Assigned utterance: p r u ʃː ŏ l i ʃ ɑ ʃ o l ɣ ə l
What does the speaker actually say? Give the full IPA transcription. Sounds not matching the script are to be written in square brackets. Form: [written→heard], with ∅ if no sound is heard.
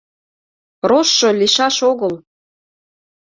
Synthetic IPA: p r [u→o] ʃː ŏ l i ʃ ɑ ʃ o [l→∅] ɣ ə l